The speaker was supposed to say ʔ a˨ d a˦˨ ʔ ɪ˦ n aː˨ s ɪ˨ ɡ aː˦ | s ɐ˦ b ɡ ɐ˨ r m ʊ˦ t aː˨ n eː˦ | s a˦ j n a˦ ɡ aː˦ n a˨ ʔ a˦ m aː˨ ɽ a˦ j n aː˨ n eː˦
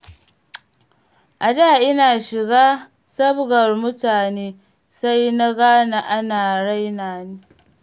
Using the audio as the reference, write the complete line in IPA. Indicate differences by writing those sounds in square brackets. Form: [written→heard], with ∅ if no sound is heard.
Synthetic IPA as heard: ʔ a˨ d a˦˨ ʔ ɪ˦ n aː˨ [s→ʃ] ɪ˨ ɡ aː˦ | s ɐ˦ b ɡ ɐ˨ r m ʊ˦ t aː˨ n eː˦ | s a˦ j n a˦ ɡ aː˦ n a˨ ʔ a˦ [m→n] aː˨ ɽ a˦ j n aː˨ n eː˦